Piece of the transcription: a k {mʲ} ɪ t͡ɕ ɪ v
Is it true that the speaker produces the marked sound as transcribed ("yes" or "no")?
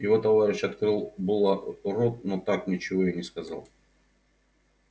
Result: no